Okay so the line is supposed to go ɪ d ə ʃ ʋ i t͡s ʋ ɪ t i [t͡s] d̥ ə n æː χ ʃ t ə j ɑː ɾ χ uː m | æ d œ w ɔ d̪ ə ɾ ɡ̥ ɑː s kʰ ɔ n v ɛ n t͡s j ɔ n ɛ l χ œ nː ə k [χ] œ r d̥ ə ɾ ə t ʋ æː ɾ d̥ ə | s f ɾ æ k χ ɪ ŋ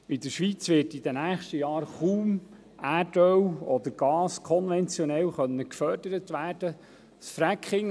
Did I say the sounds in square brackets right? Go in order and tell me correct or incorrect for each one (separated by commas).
incorrect, incorrect